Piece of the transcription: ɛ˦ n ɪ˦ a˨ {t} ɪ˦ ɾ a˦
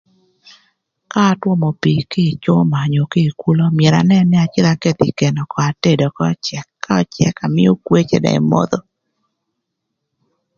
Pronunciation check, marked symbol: incorrect: t͡ʃ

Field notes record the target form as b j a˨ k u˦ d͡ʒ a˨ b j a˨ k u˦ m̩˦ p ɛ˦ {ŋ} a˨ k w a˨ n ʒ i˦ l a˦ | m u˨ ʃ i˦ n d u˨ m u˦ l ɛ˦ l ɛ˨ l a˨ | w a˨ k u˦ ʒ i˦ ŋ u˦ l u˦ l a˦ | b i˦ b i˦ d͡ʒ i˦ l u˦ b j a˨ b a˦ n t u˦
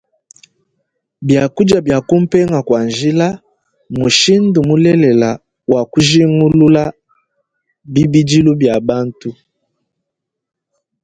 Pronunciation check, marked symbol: correct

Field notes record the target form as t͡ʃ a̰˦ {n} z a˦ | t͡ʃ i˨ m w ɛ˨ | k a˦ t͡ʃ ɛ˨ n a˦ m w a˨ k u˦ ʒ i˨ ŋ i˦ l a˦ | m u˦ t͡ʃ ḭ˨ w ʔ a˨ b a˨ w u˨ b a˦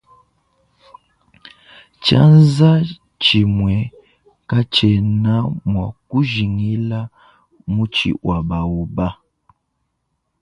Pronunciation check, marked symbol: correct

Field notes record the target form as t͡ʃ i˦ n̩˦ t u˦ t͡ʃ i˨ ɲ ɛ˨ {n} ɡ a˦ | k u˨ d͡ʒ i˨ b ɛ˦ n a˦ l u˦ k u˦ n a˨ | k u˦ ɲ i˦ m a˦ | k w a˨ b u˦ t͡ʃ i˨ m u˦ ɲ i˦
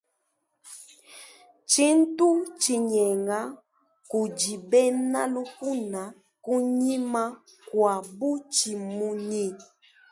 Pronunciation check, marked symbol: incorrect: ŋ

